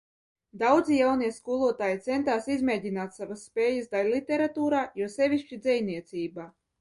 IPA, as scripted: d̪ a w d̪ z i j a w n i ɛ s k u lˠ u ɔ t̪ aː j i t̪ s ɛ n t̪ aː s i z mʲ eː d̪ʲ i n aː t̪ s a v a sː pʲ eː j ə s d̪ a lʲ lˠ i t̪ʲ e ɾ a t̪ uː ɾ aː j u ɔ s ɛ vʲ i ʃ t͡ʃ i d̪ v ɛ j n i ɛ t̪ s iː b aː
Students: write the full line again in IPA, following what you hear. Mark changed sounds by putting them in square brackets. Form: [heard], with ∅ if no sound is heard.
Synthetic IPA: d̪ a w d̪ z i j a w n i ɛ s k u lˠ u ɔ t̪ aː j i t̪ s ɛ n t̪ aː s i z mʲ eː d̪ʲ i n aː t̪ s a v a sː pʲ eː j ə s d̪ a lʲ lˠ i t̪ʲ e ɾ a t̪ uː ɾ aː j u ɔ s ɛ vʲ i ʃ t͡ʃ i d̪ [z] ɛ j n i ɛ t̪ s iː b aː

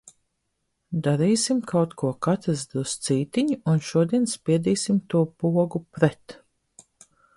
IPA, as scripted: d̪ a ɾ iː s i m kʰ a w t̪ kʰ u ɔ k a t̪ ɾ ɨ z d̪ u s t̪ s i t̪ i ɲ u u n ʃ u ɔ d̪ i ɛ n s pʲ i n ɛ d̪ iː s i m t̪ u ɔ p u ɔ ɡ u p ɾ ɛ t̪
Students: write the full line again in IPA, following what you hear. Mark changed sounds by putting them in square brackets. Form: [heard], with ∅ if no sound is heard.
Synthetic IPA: d̪ a ɾ iː s i m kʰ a w t̪ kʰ u ɔ k a t̪ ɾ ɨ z d̪ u s t̪ s [iː] t̪ i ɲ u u n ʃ u ɔ d̪ i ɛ n s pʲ i [∅] ɛ d̪ iː s i m t̪ u ɔ p u ɔ ɡ u p ɾ ɛ t̪

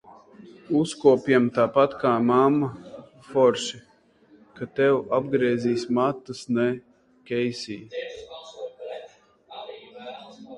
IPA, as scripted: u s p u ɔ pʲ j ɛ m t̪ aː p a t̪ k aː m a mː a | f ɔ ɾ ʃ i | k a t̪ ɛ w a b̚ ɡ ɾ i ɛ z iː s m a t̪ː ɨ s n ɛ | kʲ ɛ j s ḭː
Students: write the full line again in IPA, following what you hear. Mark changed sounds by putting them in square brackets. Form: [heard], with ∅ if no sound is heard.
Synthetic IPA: u s [k] u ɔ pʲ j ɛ m t̪ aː p a t̪ k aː m a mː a | f ɔ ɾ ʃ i | k a t̪ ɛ w a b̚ ɡ ɾ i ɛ z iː s m a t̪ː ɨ s n ɛ | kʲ ɛ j s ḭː

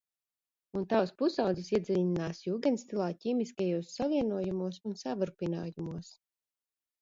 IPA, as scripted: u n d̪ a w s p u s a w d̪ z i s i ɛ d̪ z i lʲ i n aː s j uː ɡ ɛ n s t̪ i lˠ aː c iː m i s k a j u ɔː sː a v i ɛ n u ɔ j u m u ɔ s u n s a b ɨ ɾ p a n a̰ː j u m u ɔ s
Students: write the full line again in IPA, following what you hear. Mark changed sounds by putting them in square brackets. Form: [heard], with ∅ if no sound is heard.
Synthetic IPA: u n [t̪] a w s p u s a w d̪ z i s i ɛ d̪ z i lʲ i n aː s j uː ɡ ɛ n s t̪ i lˠ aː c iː m i s k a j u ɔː sː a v i ɛ n u ɔ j u m u ɔ s u n s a [v] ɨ ɾ p [i] n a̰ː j u m u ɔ s

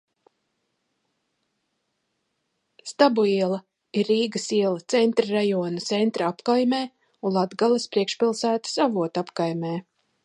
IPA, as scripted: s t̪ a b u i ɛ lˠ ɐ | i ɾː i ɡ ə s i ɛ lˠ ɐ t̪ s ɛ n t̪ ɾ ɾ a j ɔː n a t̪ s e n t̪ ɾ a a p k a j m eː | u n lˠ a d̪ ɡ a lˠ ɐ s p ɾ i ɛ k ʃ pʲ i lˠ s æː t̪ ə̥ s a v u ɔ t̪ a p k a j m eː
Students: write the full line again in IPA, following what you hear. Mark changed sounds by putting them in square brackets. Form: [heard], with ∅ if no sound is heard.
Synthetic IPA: s t̪ a b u i ɛ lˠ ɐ | i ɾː [iː] ɡ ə s i ɛ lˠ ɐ t̪ s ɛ n t̪ ɾ ɾ a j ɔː n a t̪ s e n t̪ ɾ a a p k a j m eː | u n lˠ a d̪ ɡ a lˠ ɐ s p ɾ i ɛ k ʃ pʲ i lˠ s æː t̪ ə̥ s a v u ɔ t̪ a p k a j m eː

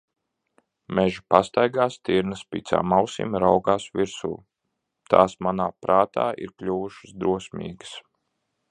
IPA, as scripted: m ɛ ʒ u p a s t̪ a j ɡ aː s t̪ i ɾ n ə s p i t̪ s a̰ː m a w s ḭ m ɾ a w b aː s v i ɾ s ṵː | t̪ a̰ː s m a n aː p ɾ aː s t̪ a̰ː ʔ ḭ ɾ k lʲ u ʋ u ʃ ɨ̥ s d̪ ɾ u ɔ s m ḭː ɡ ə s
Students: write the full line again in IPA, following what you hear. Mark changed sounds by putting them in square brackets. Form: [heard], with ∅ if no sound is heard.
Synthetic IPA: m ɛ ʒ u p a s t̪ a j ɡ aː s t̪ i ɾ n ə s p i t̪ s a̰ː m a w s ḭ m ɾ a w [ɡ] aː s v i ɾ s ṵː | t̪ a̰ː s m a n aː p ɾ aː [∅] t̪ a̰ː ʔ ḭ ɾ k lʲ u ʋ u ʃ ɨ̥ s d̪ ɾ u ɔ s m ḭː ɡ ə s

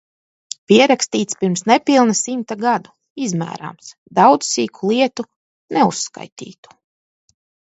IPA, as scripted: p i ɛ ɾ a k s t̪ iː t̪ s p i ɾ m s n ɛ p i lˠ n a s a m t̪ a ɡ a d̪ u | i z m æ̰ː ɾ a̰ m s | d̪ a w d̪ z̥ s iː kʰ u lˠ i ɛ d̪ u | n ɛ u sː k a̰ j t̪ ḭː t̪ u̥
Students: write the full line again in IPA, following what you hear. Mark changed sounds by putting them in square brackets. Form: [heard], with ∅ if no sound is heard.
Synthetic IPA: p i ɛ ɾ a k s t̪ iː t̪ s p i ɾ m s n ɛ p i lˠ n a s [i] m t̪ a ɡ a d̪ u | i z m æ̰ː ɾ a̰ m s | d̪ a w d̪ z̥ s iː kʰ u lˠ i ɛ [t̪] u | n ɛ u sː k a̰ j t̪ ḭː t̪ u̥

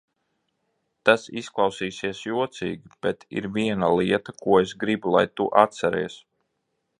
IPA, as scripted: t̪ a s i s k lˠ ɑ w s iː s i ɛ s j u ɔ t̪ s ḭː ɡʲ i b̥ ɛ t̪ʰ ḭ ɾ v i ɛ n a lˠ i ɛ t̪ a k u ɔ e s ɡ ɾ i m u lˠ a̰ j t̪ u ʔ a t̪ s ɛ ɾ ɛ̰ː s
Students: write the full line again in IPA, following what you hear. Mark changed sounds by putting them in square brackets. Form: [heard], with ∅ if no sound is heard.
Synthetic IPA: t̪ a s i s k lˠ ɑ w s iː s i ɛ s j u ɔ t̪ s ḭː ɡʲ i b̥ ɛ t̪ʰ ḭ ɾ v i ɛ n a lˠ i ɛ t̪ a k u ɔ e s ɡ ɾ i [b] u lˠ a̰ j t̪ u ʔ a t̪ s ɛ ɾ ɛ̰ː s

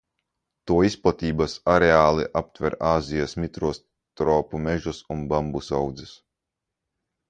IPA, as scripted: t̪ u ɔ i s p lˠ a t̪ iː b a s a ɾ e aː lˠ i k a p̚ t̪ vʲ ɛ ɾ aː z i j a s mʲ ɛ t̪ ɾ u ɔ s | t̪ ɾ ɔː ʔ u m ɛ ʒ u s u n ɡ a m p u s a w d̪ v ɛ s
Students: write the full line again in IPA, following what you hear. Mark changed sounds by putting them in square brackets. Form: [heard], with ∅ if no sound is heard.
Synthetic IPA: t̪ u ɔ i s p lˠ a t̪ iː b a s a ɾ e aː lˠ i [ʔ] a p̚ t̪ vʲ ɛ ɾ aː z i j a s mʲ [i] t̪ ɾ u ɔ s | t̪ ɾ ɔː [p] u m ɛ ʒ u s u n [b] a m [b] u s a w d̪ [z] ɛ s

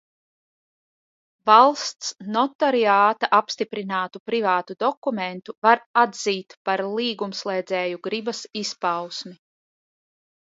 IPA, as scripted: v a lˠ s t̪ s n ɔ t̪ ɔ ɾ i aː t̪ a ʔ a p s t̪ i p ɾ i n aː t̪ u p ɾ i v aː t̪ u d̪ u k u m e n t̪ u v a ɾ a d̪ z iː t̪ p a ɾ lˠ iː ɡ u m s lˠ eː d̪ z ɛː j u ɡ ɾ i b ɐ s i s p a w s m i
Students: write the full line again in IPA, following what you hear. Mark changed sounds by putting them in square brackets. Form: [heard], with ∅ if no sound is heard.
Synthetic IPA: v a lˠ s t̪ s n ɔ t̪ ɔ ɾ i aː t̪ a ʔ a p s t̪ i p ɾ i n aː t̪ u p ɾ i v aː t̪ u d̪ [ɔ] k u m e n t̪ u v a ɾ a d̪ z iː t̪ p a ɾ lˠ iː ɡ u m s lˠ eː d̪ z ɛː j u ɡ ɾ i b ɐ s i s p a w s m i

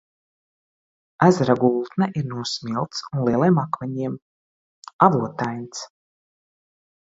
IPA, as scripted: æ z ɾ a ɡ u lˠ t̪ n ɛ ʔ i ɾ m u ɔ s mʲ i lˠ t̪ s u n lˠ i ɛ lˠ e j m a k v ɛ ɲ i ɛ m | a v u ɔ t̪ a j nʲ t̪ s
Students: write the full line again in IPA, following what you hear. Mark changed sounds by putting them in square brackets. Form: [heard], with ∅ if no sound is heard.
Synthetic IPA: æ z ɾ a ɡ u lˠ t̪ n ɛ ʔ i ɾ [n] u ɔ s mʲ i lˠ t̪ s u n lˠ i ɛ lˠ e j m a k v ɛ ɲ i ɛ m | a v u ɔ t̪ a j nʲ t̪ s

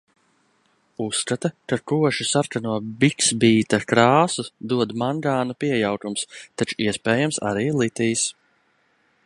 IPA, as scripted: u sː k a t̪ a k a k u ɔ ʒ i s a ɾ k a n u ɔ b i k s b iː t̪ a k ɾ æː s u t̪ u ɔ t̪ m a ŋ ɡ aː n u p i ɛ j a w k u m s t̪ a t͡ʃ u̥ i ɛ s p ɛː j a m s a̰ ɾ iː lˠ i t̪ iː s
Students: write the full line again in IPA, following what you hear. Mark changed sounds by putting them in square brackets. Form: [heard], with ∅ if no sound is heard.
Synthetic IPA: u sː k a t̪ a k a k u ɔ [ʃ] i s a ɾ k a n u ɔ b i k s b iː t̪ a k ɾ [aː] s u [d̪] u ɔ [d̪] m a ŋ ɡ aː n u p i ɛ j a w k u m s t̪ a t͡ʃ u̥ i ɛ s p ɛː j a m s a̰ ɾ iː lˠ i t̪ iː s

